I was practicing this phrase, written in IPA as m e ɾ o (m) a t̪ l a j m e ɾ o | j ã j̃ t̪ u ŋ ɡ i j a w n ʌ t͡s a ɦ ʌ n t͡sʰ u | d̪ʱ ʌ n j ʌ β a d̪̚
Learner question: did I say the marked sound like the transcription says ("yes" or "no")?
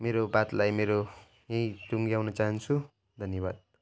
no